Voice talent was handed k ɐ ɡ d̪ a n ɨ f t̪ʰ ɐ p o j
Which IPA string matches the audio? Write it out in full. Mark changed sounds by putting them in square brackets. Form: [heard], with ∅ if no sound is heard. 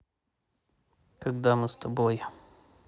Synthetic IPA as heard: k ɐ ɡ d̪ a [m] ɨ [s] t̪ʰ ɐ [b] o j